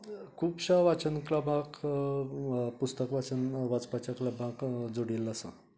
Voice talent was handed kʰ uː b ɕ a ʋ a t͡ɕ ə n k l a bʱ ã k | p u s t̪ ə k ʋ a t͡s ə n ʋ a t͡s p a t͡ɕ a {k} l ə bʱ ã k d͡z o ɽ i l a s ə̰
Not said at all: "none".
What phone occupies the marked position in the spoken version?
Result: k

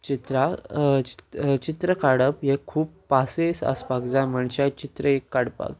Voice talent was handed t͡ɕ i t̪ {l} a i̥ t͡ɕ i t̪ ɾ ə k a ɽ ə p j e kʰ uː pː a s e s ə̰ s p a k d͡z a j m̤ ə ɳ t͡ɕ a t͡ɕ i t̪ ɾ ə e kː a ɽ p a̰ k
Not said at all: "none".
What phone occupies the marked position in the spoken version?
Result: ɾ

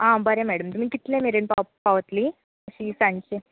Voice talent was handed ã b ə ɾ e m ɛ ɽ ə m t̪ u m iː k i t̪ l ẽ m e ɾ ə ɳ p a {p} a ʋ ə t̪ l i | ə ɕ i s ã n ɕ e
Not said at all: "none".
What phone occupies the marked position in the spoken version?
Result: p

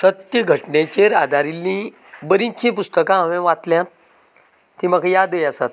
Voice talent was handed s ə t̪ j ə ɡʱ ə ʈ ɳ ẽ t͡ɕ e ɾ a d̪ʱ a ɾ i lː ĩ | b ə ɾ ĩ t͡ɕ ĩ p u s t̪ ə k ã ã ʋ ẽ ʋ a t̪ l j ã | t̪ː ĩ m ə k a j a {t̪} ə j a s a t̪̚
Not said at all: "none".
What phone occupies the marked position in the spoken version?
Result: d̪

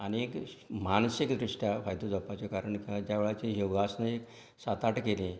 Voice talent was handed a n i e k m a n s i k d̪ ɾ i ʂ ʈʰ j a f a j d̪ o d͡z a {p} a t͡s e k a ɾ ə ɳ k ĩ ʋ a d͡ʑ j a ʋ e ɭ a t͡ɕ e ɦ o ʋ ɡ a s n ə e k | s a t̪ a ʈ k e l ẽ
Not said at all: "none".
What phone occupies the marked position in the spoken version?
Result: p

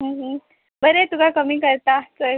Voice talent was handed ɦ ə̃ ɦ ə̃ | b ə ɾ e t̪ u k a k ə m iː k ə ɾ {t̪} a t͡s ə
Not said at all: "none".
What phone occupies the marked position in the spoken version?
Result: t̪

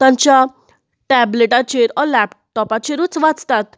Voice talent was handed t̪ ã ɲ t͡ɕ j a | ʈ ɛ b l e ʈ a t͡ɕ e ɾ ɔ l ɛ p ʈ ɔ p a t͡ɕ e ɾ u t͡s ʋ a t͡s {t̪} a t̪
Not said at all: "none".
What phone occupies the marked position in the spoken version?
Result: t̪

